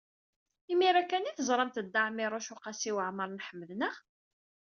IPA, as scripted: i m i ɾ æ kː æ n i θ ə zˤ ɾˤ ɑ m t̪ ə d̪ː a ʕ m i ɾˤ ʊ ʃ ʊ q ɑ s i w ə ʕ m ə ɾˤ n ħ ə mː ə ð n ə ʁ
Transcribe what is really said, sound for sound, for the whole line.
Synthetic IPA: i m i ɾ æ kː æ n i θ ə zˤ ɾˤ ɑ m t̪ ə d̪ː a ʕ m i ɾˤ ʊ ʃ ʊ q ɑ s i w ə ʕ m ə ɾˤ n ħ ə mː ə ð n ə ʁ